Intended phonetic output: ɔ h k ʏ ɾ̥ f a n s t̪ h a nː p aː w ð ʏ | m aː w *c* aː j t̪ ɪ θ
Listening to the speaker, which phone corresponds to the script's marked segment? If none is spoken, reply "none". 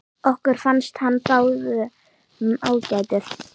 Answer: c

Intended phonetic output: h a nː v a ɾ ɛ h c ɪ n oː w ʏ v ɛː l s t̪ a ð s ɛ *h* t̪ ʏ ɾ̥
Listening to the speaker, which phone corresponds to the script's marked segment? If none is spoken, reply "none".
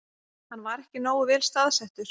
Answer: h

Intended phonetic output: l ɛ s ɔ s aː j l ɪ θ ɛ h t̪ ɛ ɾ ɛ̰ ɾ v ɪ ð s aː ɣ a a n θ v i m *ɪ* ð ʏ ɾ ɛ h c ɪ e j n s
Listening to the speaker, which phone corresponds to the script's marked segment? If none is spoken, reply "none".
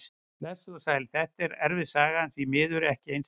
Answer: ɪː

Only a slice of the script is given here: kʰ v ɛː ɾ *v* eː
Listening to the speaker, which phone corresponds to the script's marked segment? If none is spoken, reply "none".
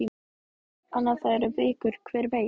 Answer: v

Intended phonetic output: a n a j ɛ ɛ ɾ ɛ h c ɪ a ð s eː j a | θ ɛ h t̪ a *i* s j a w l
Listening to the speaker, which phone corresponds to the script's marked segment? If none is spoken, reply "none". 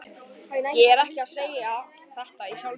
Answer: i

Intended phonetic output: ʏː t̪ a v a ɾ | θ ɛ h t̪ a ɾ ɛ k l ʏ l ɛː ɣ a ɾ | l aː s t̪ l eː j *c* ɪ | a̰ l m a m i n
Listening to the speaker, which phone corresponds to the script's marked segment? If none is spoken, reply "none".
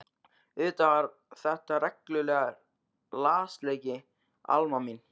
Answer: c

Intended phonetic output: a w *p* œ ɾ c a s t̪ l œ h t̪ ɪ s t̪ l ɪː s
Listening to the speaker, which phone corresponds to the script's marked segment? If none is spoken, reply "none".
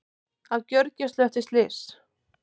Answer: c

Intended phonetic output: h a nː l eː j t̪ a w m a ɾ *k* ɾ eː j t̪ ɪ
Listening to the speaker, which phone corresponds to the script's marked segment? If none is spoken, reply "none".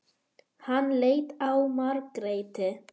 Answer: k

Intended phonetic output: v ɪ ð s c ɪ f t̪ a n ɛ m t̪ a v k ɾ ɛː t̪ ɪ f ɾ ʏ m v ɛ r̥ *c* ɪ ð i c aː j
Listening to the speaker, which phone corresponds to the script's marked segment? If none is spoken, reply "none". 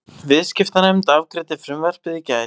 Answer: p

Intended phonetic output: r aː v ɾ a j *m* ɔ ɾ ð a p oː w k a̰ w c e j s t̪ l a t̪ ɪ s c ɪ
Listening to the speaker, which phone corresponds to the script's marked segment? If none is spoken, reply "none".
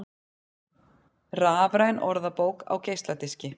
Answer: n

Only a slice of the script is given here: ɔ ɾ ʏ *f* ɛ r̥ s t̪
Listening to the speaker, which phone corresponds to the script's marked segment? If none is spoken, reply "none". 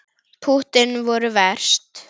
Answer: v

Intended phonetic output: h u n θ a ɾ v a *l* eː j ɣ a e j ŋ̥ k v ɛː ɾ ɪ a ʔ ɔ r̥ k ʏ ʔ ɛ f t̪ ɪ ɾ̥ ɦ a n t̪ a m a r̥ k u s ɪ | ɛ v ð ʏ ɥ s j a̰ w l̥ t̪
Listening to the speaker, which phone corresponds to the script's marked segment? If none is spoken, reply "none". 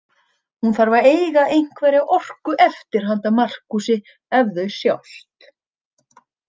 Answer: ɾ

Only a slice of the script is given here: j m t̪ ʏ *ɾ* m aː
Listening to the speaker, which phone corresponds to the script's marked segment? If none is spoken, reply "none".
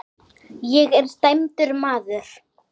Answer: ɾ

